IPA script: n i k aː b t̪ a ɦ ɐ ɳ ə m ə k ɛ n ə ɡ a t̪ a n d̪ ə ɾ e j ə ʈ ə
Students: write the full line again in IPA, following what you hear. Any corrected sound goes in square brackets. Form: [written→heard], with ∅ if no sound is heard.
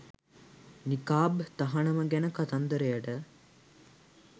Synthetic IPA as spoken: n i k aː b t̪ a ɦ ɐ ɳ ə m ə [k→ɡ] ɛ n ə [ɡ→k] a t̪ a n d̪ ə ɾ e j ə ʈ ə